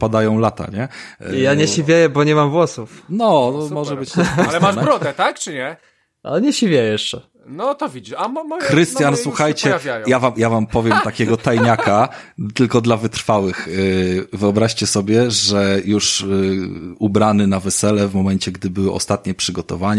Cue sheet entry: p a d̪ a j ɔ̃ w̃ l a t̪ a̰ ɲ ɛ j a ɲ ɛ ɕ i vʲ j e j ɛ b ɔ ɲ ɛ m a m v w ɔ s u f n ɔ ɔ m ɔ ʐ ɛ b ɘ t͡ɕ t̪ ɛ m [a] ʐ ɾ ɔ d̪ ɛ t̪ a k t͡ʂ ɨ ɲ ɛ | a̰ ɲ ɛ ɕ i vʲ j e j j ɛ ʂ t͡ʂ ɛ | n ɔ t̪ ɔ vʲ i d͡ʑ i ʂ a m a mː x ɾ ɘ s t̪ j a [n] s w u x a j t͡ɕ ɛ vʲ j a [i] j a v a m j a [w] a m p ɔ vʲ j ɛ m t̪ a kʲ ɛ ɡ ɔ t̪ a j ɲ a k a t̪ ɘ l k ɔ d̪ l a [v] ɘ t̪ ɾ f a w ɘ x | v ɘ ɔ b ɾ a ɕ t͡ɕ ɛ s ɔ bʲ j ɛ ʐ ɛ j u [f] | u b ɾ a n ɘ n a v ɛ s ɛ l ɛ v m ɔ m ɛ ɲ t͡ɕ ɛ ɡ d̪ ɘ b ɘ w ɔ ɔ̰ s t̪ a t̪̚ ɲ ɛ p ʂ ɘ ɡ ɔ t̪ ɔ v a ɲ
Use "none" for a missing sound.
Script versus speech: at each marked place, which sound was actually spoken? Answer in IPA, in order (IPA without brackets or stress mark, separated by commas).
a, n, j, v, v, ʂ